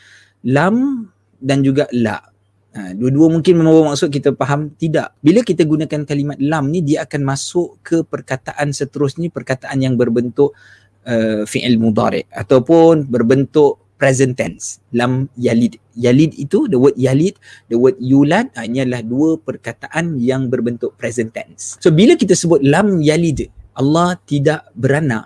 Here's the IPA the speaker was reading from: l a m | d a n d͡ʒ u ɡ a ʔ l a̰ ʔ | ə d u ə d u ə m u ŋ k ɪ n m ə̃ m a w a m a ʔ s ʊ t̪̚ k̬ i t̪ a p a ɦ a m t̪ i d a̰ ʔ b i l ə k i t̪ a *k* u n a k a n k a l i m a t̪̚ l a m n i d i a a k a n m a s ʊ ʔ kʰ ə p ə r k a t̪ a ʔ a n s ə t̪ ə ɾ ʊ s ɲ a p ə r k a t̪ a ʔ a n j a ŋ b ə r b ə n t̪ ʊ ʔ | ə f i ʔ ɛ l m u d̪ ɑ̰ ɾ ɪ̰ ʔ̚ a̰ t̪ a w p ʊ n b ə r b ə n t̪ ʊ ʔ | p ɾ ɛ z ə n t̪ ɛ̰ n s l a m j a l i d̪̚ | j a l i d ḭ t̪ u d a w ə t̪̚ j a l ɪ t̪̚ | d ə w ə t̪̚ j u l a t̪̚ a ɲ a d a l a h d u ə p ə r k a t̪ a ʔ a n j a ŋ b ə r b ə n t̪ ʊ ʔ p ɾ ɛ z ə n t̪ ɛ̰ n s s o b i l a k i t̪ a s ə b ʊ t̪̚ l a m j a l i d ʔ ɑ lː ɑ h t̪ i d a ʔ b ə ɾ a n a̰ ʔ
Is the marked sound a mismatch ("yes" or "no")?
yes